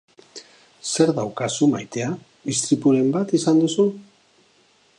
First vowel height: mid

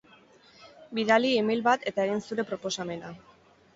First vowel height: high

